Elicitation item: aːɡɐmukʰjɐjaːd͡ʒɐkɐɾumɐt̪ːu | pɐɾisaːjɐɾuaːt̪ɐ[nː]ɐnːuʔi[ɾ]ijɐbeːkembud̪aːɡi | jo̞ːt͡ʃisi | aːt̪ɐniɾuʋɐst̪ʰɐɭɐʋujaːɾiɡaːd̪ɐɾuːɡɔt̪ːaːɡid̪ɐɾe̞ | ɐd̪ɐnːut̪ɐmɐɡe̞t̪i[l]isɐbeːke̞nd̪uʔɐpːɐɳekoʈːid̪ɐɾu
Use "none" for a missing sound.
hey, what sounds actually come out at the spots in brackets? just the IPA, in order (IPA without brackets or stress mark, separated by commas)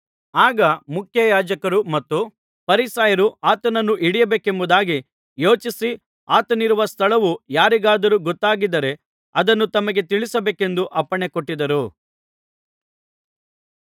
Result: n, ɽ, ɭ